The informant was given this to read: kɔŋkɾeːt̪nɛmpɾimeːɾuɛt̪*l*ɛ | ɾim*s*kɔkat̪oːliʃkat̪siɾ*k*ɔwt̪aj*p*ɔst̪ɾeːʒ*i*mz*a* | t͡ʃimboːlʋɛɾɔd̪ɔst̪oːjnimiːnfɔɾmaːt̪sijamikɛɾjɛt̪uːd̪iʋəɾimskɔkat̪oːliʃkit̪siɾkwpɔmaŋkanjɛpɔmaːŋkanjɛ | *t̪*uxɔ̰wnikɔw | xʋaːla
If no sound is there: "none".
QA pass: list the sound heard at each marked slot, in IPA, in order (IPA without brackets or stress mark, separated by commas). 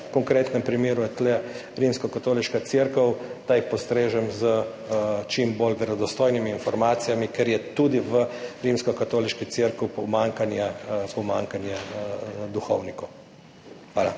l, s, k, p, ɛ, ə, d̪